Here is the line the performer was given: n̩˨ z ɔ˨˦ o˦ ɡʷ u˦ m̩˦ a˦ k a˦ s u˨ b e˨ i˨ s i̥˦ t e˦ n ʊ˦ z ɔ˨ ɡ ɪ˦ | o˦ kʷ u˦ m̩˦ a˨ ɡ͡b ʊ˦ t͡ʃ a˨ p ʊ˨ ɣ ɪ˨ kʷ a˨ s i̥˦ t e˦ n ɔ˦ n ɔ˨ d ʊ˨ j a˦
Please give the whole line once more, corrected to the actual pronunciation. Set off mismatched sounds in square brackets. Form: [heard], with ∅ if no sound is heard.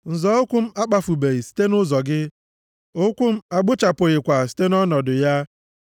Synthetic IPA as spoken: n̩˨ z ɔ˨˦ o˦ [kʷ] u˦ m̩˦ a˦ [k͡p] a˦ [f] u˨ b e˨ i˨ s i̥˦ t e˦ n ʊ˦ z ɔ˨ ɡ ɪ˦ | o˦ kʷ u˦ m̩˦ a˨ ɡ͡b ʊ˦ t͡ʃ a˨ p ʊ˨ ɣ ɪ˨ kʷ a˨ s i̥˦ t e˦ n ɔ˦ n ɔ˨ d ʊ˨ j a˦